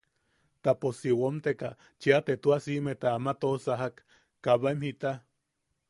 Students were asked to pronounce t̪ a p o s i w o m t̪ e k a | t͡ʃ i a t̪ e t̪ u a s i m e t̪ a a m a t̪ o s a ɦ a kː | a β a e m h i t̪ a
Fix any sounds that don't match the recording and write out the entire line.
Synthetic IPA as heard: t̪ a p o s i w o m t̪ e k a | t͡ʃ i a t̪ e t̪ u a s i m e t̪ a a m a t̪ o s a ɦ a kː | a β a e m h i t̪ a

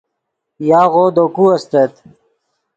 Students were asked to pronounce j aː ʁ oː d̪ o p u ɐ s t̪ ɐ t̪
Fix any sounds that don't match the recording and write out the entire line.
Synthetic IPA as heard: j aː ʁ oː d̪ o k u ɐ s t̪ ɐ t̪

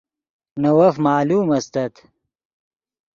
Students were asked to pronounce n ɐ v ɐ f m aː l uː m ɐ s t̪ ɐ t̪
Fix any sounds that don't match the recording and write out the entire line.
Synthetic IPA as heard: n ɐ w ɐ f m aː l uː m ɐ s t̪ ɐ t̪

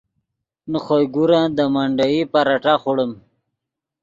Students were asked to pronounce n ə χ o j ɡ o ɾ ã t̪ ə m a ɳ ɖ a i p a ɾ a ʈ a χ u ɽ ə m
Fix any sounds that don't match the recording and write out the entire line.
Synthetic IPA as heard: n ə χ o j ɡ u ɾ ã d̪ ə m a ɳ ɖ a i p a ɾ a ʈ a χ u ɽ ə m

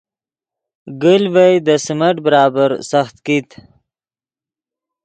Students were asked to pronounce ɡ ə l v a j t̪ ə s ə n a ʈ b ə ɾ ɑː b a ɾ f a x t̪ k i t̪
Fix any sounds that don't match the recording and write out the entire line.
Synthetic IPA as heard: ɡ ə l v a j d̪ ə s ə m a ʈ b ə ɾ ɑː b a ɾ s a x t̪ k i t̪

